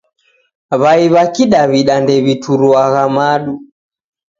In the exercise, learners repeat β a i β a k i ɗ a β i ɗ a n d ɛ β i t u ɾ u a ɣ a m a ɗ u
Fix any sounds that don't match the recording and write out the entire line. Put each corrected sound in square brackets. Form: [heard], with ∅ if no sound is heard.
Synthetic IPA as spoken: β a i β a k i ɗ a β i ɗ a n d ɛ β i t u ɾ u a ɣ a m a ɗ u